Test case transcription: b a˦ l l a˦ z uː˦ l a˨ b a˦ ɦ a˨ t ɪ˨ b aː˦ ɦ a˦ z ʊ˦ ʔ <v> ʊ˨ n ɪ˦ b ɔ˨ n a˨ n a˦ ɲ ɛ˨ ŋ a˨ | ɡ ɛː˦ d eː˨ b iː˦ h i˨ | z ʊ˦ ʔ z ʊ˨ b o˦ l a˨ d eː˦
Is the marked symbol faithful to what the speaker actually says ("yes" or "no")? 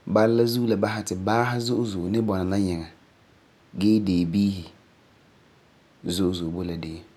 no